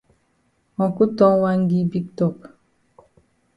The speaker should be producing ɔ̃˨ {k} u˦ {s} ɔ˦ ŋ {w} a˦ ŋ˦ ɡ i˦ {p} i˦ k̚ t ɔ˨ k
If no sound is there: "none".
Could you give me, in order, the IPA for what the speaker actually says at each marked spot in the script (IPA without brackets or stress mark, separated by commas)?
k, t, w, b